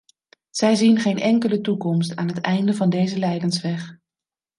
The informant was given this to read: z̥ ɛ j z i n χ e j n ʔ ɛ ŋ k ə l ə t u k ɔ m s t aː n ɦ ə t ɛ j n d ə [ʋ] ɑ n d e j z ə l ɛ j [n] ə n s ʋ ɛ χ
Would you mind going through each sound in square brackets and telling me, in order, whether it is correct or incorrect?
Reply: incorrect, incorrect

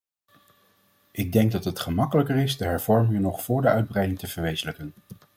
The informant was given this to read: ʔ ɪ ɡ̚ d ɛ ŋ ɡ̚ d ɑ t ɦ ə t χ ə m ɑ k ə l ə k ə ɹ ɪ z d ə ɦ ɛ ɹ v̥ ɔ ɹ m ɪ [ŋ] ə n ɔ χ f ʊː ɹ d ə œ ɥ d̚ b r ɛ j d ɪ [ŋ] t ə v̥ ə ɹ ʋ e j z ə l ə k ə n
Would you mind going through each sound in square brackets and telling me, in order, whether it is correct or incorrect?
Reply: correct, correct

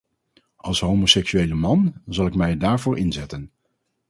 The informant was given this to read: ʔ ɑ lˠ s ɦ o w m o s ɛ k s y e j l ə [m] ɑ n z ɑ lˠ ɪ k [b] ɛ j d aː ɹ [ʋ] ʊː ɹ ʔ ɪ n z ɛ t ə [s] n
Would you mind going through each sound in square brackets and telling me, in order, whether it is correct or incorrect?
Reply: correct, incorrect, incorrect, incorrect

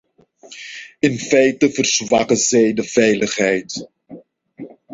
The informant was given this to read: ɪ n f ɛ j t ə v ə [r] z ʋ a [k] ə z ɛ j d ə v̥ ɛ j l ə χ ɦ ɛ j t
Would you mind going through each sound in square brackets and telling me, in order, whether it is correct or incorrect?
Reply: correct, correct

